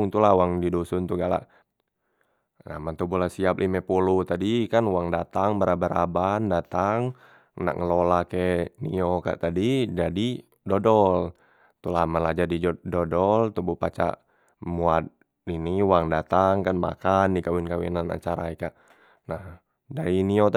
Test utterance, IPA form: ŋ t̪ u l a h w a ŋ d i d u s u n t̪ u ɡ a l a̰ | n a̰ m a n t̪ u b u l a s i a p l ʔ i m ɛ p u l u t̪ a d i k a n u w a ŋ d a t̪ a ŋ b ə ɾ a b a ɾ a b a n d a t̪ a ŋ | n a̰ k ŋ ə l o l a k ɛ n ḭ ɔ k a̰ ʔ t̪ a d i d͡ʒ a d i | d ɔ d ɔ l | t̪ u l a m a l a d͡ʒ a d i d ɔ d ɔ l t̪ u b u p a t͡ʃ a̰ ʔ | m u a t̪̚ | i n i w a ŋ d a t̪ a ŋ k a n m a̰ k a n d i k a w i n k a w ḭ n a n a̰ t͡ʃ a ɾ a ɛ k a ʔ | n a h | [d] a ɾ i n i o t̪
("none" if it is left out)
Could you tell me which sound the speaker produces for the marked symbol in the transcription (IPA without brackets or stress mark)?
d